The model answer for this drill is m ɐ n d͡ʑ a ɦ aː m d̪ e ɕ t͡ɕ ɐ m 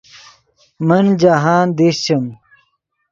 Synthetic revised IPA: m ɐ n d͡ʑ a ɦ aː n d̪ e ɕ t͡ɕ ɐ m